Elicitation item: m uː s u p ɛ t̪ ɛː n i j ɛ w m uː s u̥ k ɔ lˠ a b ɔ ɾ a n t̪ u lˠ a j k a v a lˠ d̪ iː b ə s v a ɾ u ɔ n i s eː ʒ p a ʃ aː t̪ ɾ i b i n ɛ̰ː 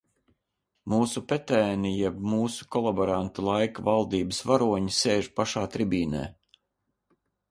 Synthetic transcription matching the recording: m uː s u p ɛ t̪ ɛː n i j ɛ b m uː s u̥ k ɔ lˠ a b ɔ ɾ a n t̪ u lˠ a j k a v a lˠ d̪ iː b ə s v a ɾ u ɔ ɲ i s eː ʒ p a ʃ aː t̪ ɾ i b iː n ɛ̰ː